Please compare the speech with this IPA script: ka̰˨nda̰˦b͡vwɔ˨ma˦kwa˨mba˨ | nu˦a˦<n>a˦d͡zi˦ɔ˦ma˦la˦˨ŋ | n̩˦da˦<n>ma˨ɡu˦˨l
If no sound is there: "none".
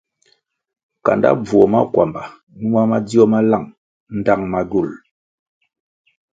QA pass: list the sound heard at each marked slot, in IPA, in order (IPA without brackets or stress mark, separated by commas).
m, ŋ